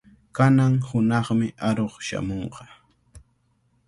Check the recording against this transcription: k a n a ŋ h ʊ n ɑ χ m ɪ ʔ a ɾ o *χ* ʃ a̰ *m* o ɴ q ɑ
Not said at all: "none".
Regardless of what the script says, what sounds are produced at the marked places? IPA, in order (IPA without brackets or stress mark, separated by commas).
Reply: χ, m